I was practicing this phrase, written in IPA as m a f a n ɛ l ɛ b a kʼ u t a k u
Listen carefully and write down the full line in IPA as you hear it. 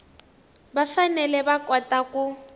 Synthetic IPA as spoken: b a f a n ɛ l ɛ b a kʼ ɔ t a k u